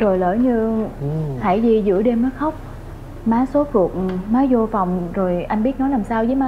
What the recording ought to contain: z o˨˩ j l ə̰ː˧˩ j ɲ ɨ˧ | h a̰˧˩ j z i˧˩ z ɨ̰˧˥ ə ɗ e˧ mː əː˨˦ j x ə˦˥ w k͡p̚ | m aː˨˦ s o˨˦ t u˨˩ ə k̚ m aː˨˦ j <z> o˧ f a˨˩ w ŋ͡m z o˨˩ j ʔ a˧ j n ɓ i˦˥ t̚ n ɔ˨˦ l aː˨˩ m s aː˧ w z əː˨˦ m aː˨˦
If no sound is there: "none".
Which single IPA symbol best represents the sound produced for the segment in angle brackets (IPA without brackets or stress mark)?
z